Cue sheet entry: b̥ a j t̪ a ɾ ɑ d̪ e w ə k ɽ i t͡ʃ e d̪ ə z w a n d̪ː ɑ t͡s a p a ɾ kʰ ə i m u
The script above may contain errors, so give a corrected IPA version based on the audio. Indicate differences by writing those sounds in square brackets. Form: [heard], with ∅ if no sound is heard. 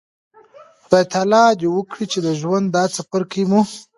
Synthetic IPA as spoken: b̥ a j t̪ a [l] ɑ d̪ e w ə k ɽ i t͡ʃ e d̪ ə [ʒ] w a n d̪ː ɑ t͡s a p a ɾ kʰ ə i m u